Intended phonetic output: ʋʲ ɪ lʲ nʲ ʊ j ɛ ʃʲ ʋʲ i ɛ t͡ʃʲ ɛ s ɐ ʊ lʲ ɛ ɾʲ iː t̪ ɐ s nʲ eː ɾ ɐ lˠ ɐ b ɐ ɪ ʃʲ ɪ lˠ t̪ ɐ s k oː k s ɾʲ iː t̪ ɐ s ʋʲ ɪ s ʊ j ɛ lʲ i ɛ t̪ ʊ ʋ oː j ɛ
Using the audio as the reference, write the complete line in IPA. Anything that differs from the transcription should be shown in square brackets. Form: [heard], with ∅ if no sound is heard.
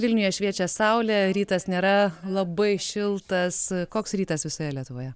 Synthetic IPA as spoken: ʋʲ ɪ lʲ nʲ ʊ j ɛ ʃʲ ʋʲ i ɛ t͡ʃʲ ɛ s ɐ ʊ lʲ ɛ ɾʲ iː t̪ ɐ s nʲ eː ɾ ɐ lˠ ɐ b ɐ ɪ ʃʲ ɪ lˠ t̪ ɐ s k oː k s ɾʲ iː t̪ ɐ s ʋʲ ɪ s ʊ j ɛ lʲ i ɛ t̪ ʊ ʋ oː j ɛ